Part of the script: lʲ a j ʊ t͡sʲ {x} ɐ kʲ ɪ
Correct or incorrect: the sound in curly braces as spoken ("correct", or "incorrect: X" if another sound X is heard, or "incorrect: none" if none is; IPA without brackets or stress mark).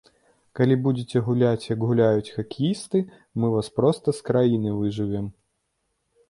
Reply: correct